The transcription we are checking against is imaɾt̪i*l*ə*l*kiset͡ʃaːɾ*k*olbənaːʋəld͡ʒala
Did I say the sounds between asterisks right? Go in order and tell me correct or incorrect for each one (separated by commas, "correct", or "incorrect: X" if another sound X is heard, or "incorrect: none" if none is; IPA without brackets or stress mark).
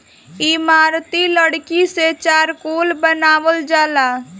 correct, incorrect: ɽ, correct